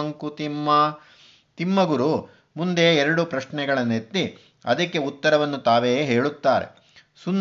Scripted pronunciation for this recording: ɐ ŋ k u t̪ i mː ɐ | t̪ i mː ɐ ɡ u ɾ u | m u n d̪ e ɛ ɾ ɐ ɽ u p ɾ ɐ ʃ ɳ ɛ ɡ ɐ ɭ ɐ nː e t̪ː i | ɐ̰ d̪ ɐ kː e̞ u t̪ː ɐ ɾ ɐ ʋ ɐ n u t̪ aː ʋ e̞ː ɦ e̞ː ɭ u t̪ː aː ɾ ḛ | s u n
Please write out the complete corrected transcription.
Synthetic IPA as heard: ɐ ŋ k u t̪ i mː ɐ | t̪ i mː ɐ ɡ u ɾ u | m u n d̪ e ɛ ɾ ɐ ɽ u p ɾ ɐ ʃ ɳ ɛ ɡ ɐ ɭ ɐ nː e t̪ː i | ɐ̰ d̪ ɐ kː e̞ u t̪ː ɐ ɾ ɐ ʋ ɐ nː u t̪ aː ʋ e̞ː ɦ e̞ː ɭ u t̪ː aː ɾ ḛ | s u n